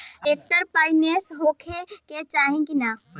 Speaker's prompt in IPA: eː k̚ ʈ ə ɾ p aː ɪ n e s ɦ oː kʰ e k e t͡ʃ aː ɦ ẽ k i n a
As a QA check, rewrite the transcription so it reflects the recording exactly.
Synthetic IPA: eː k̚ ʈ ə ɾ p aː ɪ n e s ɦ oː kʰ e k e t͡ʃ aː ɦ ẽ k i n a